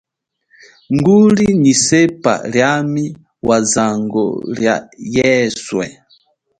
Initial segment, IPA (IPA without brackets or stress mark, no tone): ŋ